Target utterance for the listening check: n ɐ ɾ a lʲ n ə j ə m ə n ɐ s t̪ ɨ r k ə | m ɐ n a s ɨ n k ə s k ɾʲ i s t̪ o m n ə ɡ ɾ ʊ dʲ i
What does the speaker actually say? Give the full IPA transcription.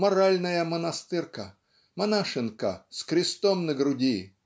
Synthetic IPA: m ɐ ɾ a lʲ n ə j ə m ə n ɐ s t̪ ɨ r k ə | m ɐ n a ʂ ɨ n k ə s k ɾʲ ɪ s t̪ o m n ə ɡ ɾ ʊ dʲ i